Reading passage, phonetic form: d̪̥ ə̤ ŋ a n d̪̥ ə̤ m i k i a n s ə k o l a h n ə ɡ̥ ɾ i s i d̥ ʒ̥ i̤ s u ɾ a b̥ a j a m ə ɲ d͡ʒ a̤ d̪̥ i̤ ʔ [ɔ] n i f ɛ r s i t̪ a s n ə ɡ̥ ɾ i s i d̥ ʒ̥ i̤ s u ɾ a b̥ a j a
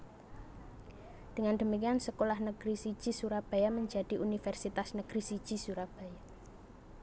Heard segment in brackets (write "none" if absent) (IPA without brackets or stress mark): u